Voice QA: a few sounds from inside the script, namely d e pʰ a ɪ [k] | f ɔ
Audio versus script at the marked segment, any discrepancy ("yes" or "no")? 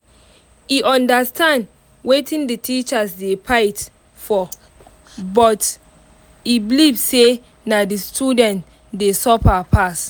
yes